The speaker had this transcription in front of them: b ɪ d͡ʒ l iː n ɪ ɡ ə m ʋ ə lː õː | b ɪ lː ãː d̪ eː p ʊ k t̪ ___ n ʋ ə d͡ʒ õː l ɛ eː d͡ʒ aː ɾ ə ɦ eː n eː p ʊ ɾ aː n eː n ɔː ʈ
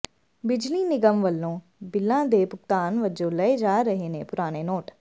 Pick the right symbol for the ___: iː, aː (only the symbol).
aː